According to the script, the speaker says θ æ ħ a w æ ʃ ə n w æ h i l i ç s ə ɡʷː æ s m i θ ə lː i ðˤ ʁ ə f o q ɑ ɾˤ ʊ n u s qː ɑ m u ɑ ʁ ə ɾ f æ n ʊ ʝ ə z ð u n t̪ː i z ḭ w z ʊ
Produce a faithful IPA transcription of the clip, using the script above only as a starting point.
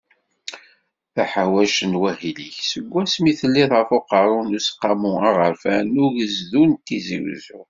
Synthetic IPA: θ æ ħ a w æ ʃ ə n w æ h i l i ç s ə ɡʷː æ s m i θ ə lː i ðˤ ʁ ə f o q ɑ ɾˤ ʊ n u s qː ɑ m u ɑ ʁ ə ɾ f æ n ʊ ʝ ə z ð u n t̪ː i z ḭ w z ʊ